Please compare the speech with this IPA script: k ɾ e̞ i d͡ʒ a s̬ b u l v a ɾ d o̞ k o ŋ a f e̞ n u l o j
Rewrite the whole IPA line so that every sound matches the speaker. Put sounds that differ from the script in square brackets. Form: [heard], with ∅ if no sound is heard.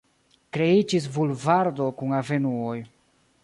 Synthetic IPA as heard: k ɾ e̞ i d͡ʒ [i] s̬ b u l v a ɾ d o̞ k [u] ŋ a [v] e̞ n u [∅] o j